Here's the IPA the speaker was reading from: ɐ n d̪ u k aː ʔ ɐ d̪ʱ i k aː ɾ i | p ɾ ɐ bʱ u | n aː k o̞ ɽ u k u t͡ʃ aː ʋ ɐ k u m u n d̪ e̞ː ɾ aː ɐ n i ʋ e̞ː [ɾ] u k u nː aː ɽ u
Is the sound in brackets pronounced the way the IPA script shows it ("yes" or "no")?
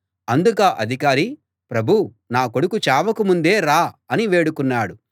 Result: no